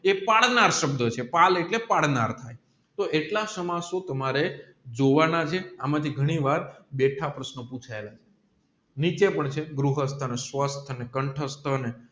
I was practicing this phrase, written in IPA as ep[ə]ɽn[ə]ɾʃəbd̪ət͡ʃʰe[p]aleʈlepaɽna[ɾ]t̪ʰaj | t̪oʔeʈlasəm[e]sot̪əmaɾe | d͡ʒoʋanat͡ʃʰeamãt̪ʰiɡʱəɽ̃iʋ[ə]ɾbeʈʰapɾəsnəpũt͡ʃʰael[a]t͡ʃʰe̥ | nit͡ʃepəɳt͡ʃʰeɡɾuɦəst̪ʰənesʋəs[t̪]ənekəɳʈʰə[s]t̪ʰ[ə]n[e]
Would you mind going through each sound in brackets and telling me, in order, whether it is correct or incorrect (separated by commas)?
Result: incorrect, incorrect, correct, correct, incorrect, incorrect, correct, incorrect, correct, correct, correct